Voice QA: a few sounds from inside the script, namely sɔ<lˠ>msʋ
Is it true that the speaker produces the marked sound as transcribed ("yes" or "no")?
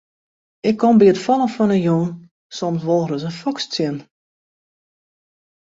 no